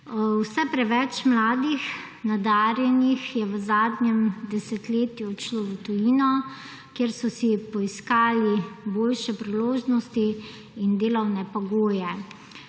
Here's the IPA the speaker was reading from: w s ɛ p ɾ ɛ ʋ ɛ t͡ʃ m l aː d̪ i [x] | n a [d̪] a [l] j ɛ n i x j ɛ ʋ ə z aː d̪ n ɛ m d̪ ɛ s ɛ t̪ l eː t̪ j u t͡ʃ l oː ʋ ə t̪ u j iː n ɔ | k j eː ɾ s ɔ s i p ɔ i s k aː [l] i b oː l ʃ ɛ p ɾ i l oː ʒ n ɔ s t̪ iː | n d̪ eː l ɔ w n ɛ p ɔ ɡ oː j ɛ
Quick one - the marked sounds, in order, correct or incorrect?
correct, correct, incorrect, correct

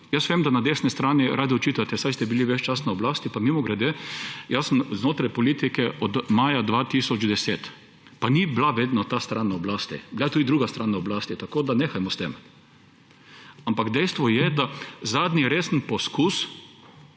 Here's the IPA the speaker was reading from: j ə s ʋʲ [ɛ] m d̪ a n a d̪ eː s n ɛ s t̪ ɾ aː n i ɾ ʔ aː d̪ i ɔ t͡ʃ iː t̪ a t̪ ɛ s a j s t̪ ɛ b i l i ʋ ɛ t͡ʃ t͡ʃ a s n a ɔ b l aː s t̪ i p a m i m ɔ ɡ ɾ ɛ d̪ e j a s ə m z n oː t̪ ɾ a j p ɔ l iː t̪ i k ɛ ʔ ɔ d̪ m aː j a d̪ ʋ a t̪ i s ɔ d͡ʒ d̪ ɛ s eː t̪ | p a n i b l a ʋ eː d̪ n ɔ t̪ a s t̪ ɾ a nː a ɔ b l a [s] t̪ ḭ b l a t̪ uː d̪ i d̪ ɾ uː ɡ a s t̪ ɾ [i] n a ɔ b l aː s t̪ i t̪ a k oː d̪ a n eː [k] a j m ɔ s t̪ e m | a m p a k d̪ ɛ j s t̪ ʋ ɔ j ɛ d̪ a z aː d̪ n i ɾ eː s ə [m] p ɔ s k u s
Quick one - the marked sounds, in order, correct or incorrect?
incorrect, correct, incorrect, incorrect, incorrect

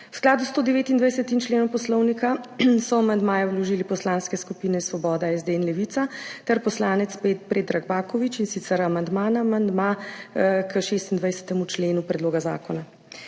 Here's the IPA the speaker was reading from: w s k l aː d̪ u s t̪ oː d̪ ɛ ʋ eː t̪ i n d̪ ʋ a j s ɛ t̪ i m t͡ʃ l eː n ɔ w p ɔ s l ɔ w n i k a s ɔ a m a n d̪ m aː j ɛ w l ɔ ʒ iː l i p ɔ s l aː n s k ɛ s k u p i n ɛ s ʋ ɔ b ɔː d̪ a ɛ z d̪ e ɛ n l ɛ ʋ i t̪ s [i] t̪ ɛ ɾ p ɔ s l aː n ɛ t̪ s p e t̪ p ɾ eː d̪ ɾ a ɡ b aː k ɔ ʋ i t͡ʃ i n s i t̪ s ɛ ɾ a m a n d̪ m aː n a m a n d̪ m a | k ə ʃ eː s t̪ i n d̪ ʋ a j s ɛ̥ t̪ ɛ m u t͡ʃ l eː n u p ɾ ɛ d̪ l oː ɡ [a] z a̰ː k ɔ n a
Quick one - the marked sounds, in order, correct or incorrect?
incorrect, correct

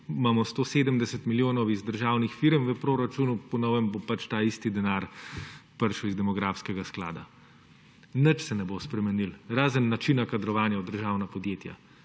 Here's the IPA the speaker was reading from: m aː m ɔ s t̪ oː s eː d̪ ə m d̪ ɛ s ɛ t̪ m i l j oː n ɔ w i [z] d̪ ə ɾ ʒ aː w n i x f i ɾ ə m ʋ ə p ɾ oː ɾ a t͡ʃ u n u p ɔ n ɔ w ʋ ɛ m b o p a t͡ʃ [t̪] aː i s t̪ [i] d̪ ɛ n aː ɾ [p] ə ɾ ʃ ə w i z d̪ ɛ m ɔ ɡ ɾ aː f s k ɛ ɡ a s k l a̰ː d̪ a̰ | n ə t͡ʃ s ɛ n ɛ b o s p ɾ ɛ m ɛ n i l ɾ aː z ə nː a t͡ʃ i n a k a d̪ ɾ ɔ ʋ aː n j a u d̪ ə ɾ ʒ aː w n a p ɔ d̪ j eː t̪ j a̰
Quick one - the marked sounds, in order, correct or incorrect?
correct, correct, correct, correct

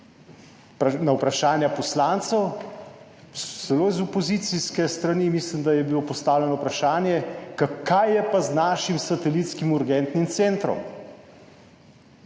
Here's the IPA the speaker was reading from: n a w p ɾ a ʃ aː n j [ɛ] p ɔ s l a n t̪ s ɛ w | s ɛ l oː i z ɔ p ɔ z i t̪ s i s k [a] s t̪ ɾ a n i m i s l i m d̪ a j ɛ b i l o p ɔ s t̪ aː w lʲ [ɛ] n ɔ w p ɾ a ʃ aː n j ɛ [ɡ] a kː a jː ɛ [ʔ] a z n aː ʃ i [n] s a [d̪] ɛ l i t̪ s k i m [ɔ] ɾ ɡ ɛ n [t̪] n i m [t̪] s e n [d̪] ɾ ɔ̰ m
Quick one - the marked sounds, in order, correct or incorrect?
incorrect, incorrect, correct, incorrect, incorrect, incorrect, incorrect, incorrect, correct, correct, incorrect

